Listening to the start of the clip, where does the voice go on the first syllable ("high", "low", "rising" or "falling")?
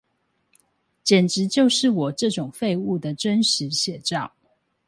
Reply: low